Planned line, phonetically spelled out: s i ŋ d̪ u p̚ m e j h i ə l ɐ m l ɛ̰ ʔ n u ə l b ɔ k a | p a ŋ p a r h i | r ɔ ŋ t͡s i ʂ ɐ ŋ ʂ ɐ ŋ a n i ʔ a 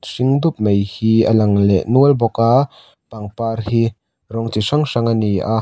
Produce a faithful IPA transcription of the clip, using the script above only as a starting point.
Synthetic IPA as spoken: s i ŋ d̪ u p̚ m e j h i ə l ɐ ŋ l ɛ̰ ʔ n u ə l b ɔ k a | p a ŋ p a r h i | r ɔ ŋ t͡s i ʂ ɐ ŋ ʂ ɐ ŋ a n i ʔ a